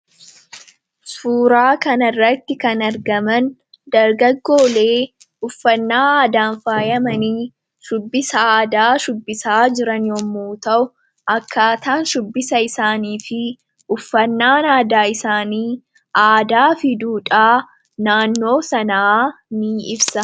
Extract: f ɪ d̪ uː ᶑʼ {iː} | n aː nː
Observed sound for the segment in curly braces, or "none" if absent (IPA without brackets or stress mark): aː